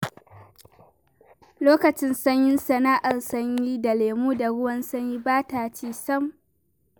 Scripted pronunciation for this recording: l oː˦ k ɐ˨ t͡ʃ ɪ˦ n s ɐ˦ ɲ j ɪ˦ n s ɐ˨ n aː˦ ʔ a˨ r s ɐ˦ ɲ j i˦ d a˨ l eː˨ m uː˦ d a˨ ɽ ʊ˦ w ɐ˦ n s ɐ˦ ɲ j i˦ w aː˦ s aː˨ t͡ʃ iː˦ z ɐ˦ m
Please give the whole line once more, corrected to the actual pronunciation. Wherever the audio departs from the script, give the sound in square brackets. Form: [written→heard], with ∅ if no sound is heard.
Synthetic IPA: l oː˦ k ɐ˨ t͡ʃ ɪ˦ n s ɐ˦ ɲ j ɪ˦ n s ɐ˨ n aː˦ ʔ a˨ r s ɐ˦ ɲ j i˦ d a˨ l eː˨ m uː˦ d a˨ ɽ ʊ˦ w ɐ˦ n s ɐ˦ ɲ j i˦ [w→b] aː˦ [s→t] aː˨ t͡ʃ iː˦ [z→s] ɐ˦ m